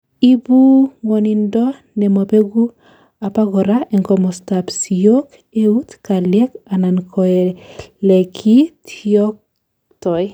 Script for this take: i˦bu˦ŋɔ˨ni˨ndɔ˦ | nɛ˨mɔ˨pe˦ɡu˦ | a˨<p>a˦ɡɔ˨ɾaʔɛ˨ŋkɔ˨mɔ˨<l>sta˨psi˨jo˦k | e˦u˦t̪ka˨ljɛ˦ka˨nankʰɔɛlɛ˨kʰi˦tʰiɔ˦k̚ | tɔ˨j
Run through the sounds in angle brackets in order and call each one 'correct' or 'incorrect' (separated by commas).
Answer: correct, incorrect